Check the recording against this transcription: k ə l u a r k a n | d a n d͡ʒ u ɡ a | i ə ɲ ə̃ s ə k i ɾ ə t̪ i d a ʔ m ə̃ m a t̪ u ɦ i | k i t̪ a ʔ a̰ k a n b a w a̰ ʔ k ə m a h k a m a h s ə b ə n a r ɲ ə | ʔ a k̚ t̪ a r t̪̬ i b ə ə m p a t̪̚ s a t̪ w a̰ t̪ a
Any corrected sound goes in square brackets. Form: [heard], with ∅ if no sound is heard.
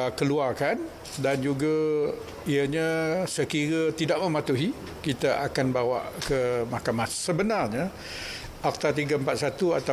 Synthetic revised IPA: k ə l u a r k a n | d a n d͡ʒ u ɡ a | i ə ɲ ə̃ s ə k i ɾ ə t̪ i d a ʔ m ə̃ m a t̪ u ɦ i | k i t̪ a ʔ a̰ k a n b a w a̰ ʔ k ə m a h k a m a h s ə b ə n a r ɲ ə | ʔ a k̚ t̪ a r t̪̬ i [ɡ] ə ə m p a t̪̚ s a t̪ [u] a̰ t̪ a